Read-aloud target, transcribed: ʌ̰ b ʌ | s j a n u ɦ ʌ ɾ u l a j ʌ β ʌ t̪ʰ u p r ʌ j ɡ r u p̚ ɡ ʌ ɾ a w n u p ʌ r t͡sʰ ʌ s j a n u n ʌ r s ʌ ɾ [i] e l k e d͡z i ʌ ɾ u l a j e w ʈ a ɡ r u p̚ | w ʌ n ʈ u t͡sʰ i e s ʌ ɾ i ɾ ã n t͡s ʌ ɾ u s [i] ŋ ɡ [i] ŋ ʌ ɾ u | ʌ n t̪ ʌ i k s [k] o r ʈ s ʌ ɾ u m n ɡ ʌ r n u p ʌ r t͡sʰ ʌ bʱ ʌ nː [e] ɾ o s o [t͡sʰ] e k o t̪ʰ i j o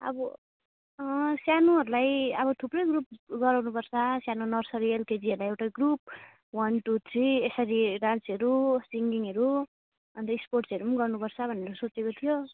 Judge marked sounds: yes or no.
yes, yes, yes, no, yes, no

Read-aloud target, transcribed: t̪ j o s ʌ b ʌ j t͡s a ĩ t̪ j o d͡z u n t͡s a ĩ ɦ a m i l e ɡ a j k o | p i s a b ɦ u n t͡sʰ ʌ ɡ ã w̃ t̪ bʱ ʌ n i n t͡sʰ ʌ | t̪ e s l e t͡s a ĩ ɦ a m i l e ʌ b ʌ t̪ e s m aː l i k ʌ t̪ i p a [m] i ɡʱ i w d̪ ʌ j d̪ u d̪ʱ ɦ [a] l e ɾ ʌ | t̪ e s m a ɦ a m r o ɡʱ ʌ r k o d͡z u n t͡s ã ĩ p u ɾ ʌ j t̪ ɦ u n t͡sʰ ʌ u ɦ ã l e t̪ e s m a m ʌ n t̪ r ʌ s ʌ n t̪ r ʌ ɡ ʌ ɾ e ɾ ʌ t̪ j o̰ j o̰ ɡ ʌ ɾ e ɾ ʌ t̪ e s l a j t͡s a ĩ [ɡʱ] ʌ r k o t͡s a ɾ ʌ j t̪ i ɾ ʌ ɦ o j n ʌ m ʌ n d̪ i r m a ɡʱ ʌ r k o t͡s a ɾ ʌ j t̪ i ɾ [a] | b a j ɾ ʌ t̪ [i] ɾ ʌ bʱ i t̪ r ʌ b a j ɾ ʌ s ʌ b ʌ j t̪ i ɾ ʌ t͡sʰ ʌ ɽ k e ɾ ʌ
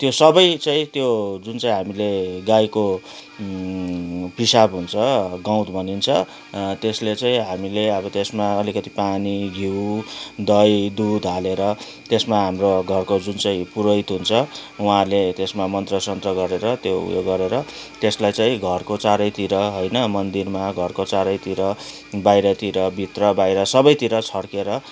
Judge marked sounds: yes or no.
no, yes, yes, no, yes

